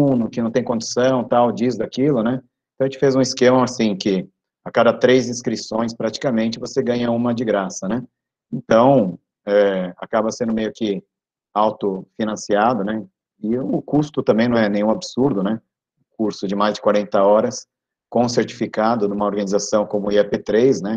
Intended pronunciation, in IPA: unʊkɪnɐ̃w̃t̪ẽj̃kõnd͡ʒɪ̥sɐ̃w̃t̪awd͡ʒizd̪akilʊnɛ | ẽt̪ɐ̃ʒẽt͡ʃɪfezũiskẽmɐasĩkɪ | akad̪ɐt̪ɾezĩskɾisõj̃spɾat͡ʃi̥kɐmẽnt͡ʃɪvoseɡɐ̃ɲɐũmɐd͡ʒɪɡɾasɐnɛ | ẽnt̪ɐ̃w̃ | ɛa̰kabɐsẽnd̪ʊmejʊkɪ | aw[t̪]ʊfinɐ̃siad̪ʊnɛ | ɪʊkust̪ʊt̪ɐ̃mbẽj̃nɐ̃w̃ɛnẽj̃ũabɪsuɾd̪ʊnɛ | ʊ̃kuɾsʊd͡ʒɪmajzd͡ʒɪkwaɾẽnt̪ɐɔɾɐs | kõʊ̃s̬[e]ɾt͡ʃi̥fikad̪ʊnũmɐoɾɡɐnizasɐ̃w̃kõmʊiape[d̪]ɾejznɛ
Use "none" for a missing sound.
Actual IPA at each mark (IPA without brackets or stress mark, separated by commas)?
t̪, e, t̪